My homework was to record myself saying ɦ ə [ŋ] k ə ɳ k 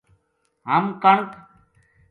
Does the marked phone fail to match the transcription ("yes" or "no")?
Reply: yes